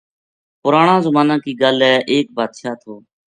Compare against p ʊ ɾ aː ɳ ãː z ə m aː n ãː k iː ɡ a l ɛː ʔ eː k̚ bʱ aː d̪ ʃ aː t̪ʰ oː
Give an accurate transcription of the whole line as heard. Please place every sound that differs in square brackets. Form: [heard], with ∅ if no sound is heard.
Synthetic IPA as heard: p ʊ ɾ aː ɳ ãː z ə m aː n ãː k iː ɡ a l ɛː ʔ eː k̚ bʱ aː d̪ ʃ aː t̪ʰ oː